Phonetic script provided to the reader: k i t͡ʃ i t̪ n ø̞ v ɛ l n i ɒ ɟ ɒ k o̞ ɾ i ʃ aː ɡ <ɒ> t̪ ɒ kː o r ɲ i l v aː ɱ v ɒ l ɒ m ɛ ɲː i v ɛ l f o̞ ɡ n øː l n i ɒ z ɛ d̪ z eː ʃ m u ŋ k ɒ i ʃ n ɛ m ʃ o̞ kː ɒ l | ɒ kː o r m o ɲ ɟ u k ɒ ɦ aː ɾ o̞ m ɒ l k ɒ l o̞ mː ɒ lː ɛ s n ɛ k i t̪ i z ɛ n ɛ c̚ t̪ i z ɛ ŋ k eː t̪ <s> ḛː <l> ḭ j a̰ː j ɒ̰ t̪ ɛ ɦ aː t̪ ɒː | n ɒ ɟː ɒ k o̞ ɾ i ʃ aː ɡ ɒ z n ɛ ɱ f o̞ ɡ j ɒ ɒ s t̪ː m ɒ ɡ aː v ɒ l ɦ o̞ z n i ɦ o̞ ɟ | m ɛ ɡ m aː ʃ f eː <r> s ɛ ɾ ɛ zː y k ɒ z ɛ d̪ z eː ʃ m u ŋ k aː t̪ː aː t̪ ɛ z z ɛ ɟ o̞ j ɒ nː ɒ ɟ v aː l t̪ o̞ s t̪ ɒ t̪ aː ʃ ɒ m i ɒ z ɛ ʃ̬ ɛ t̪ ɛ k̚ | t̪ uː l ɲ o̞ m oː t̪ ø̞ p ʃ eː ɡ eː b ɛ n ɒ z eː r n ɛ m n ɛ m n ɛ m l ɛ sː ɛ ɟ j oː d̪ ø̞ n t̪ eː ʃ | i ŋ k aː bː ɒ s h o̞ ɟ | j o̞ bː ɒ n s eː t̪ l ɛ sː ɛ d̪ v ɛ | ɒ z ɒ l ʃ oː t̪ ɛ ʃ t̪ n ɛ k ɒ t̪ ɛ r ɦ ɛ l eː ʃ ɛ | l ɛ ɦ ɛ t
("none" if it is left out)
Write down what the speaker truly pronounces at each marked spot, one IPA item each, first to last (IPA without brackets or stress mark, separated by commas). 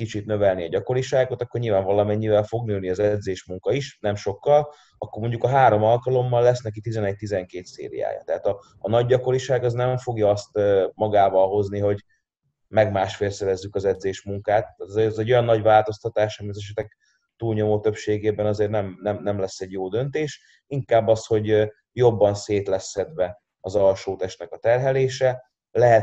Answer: o, s, ɾ, l